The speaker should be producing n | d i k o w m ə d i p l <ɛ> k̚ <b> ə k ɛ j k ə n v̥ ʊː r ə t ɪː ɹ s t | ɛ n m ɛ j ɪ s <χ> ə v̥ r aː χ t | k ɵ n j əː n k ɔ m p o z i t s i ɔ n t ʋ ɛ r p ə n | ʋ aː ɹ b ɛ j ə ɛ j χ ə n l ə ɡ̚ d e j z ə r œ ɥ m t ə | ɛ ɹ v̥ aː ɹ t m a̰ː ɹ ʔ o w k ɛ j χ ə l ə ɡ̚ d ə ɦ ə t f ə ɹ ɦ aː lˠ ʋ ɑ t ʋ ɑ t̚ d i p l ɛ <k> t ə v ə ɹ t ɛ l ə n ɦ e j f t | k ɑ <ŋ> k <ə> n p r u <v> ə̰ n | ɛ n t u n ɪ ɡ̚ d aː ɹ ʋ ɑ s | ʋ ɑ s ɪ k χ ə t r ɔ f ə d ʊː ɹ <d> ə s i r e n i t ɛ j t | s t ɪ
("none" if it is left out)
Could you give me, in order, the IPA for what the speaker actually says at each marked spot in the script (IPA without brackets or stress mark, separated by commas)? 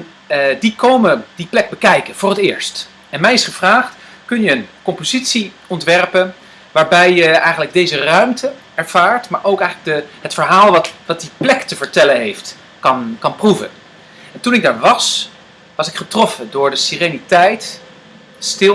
ɛ, b, χ, k, n, ɑ, v, d